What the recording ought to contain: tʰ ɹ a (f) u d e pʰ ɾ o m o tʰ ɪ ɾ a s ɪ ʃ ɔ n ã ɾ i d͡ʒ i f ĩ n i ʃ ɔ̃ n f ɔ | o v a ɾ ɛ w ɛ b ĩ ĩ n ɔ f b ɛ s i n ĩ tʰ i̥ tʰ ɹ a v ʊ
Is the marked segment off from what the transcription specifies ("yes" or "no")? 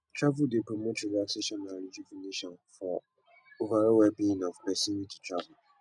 yes